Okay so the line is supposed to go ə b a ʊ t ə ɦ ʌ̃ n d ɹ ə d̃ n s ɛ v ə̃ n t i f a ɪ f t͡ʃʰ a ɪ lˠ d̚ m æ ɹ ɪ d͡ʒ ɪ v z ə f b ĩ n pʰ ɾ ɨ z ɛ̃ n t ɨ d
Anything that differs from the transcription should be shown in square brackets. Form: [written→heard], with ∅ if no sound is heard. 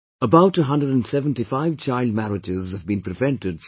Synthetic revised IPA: ə b a ʊ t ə ɦ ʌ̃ n d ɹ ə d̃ n s ɛ v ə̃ n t i f a ɪ [f→v] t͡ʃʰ a ɪ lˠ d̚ m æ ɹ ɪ d͡ʒ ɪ [v→∅] z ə [f→v] b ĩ n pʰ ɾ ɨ [z→v] ɛ̃ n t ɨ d